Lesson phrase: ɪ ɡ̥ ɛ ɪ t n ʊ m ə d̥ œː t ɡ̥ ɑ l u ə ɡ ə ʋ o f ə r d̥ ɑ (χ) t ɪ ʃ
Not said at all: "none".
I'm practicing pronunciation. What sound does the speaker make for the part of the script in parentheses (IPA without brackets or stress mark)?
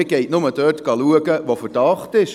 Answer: χ